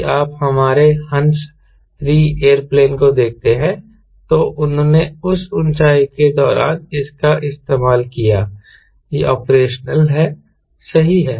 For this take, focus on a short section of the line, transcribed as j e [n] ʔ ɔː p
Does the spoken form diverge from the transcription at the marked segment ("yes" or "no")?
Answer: yes